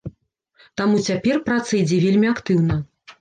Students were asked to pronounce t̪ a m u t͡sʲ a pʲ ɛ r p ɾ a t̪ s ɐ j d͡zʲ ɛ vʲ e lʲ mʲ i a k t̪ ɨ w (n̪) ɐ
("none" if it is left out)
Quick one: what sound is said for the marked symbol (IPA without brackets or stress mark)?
n̪